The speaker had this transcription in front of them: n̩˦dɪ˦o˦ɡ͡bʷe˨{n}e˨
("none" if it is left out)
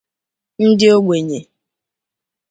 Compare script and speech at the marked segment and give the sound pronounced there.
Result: ɲ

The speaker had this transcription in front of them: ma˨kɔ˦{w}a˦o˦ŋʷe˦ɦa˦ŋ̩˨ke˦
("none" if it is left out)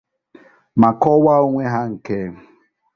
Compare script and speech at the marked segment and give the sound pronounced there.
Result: w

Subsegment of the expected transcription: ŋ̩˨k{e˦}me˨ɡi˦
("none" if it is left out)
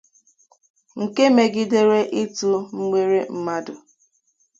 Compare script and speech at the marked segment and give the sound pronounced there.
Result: e˦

